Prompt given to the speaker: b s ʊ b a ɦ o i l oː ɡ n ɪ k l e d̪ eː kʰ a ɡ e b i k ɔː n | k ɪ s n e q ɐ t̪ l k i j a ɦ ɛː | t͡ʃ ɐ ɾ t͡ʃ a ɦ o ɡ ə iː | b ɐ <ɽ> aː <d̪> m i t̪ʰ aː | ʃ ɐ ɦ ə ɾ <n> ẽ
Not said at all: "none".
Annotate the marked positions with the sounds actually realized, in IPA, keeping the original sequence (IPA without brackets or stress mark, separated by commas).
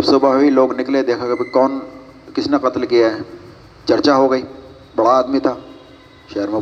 ɽ, d̪, m